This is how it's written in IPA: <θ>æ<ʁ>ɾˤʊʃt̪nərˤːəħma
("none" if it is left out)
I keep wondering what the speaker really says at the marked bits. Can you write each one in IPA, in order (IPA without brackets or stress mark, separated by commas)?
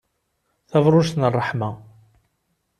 θ, v